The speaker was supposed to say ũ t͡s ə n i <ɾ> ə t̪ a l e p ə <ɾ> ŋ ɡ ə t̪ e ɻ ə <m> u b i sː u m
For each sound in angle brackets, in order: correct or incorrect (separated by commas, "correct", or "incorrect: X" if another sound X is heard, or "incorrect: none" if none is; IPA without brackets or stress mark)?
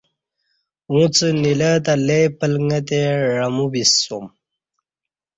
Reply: incorrect: l, incorrect: l, correct